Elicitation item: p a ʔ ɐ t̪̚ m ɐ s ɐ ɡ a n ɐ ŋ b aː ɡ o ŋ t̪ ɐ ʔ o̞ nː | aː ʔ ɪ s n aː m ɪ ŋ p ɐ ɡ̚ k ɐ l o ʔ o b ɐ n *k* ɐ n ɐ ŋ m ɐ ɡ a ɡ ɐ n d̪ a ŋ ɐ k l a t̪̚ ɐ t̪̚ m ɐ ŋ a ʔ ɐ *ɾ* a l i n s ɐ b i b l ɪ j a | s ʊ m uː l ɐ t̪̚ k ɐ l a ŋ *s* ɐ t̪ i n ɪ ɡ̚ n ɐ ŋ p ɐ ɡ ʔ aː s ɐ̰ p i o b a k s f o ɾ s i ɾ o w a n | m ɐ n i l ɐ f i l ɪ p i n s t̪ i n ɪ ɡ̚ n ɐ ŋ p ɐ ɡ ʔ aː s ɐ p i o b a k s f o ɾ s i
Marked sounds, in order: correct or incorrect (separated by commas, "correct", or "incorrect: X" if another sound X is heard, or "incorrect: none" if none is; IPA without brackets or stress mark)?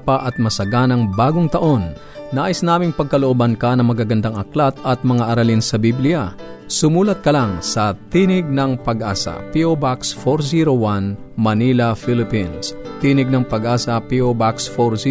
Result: correct, correct, correct